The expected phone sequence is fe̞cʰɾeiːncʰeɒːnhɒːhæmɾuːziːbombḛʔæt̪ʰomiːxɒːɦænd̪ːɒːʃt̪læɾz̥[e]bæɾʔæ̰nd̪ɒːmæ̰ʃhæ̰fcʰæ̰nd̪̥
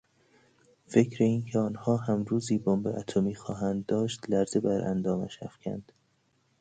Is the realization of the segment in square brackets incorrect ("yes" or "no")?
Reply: no